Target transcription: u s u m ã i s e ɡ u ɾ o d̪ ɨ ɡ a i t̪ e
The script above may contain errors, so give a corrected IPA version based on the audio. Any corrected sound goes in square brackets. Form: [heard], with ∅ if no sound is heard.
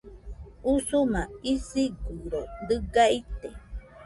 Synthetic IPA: u s u m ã i s [i] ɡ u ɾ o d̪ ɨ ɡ a i t̪ e